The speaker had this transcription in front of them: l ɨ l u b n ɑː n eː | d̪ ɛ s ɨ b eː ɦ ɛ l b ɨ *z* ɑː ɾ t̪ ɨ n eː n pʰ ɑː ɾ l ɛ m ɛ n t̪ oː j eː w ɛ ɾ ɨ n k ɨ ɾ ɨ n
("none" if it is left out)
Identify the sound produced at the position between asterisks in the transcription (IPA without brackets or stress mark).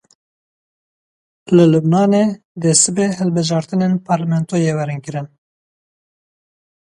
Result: ʒ